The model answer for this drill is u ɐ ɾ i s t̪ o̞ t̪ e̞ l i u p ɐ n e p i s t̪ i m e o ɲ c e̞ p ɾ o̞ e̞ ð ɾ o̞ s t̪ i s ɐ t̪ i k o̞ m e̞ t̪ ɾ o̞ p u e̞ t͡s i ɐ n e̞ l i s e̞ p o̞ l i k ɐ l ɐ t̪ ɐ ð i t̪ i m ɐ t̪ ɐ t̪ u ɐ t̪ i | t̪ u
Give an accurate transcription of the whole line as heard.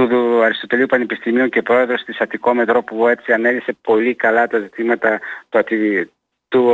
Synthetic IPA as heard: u ɐ ɾ i s t̪ o̞ t̪ e̞ l i u p ɐ n e p i s t̪ i m i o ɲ c e̞ p ɾ o̞ e̞ ð ɾ o̞ s t̪ i s ɐ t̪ i k o̞ m e̞ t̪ ɾ o̞ p u e̞ t͡s i ɐ n e̞ l i s e̞ p o̞ l i k ɐ l ɐ t̪ ɐ z i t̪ i m ɐ t̪ ɐ t̪ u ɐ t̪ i | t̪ u